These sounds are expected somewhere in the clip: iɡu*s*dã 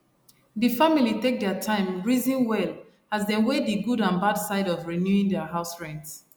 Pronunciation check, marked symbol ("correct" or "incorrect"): incorrect